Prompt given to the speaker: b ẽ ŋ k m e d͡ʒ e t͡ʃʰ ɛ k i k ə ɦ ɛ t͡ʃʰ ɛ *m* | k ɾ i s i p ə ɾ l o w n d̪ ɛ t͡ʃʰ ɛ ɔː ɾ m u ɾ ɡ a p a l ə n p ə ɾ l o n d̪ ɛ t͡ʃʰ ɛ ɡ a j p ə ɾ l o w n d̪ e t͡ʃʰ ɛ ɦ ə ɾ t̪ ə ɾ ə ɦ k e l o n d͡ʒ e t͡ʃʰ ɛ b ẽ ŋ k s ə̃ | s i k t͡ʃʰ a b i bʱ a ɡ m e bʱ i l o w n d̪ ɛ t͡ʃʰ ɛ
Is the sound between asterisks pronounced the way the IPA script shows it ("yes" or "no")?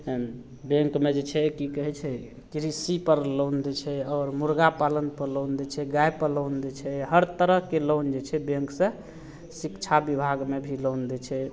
no